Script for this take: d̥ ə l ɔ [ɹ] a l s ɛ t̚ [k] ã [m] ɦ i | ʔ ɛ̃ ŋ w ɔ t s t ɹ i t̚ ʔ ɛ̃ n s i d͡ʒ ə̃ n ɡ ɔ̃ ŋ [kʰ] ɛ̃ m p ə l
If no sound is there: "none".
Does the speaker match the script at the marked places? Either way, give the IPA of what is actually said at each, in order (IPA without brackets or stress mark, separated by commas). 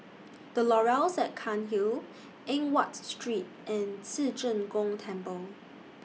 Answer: ɹ, kʰ, n, tʰ